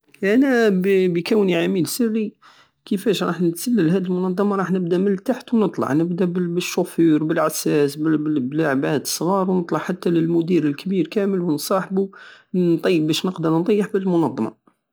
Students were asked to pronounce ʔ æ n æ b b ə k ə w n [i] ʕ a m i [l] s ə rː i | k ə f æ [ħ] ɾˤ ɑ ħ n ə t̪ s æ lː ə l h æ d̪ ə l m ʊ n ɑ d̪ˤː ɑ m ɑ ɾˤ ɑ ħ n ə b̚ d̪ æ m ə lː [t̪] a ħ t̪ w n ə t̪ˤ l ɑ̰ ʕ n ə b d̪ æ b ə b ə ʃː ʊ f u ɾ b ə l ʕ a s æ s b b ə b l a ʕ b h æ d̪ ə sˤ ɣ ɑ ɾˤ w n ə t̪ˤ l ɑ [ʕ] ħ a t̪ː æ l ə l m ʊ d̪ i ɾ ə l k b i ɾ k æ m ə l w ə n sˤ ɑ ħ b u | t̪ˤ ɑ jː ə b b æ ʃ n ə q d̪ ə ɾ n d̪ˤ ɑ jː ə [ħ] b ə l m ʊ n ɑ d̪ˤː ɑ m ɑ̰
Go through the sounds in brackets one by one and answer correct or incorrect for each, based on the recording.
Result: correct, correct, incorrect, correct, correct, correct

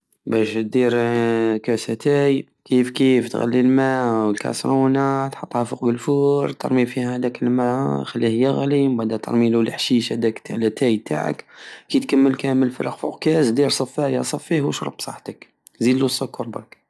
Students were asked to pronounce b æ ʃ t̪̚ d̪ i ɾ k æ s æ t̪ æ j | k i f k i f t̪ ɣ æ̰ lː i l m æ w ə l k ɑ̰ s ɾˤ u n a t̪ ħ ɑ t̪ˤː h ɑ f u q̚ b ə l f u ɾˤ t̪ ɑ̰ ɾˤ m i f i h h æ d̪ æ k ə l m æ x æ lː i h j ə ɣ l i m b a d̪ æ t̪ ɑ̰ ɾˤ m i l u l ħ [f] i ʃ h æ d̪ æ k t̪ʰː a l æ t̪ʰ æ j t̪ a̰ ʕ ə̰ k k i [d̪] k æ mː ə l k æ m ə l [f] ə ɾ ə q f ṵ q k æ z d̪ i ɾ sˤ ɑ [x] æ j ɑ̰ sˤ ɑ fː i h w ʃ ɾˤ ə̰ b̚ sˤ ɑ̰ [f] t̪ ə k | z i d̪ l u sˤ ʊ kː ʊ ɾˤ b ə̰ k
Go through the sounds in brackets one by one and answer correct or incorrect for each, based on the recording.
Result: incorrect, incorrect, correct, incorrect, incorrect

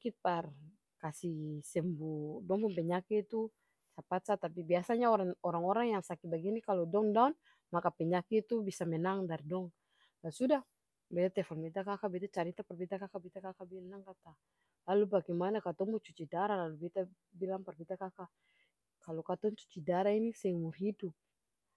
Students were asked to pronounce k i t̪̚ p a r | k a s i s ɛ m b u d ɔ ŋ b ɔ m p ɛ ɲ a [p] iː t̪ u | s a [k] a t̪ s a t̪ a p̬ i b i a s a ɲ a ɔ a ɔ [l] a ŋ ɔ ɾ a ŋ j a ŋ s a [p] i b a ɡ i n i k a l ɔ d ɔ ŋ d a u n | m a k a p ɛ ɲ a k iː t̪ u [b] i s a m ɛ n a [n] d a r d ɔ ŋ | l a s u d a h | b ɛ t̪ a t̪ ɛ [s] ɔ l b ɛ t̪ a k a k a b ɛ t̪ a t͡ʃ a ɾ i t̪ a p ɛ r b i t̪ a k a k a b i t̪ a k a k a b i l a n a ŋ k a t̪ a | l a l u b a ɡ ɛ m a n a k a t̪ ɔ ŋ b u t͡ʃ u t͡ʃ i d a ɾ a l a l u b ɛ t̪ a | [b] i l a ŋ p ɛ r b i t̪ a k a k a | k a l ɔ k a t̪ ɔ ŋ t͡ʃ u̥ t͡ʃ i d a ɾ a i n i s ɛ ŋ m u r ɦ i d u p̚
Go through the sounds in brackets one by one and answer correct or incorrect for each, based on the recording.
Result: incorrect, incorrect, incorrect, incorrect, correct, incorrect, incorrect, correct

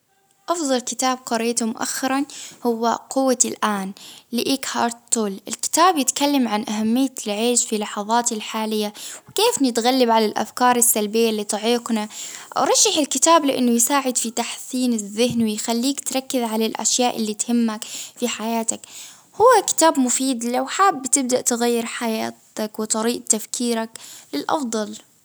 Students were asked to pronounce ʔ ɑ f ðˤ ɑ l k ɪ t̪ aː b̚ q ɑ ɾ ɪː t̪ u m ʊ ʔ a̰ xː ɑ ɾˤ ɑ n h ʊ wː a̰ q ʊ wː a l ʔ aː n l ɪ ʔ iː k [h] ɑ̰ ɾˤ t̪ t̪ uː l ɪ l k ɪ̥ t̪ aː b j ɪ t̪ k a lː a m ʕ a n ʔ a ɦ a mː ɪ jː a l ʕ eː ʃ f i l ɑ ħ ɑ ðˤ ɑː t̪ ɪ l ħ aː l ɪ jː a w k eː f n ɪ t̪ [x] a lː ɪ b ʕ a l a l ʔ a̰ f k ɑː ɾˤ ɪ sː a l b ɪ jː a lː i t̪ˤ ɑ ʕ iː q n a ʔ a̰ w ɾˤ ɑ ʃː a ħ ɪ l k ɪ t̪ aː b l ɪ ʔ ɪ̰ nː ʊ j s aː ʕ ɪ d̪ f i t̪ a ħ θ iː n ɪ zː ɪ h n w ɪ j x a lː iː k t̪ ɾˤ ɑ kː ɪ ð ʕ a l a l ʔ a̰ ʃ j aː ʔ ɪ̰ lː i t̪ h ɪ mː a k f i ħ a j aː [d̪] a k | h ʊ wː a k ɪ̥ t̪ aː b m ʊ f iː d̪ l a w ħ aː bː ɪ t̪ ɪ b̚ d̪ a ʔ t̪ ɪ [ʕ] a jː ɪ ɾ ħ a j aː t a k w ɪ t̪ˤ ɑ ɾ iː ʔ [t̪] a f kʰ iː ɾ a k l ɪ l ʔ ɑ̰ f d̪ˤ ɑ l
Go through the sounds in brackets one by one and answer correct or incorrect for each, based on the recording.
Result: correct, incorrect, incorrect, incorrect, correct

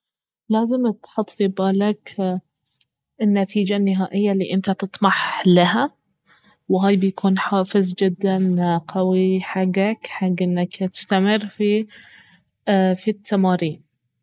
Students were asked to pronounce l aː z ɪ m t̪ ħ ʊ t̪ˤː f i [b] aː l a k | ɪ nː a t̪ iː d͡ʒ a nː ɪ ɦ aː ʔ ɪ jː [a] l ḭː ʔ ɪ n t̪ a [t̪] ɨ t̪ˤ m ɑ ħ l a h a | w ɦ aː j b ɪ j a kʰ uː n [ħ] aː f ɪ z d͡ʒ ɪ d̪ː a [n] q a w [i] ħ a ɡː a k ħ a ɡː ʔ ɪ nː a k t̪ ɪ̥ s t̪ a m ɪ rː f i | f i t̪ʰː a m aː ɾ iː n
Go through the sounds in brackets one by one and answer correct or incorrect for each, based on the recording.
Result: correct, correct, correct, correct, correct, correct

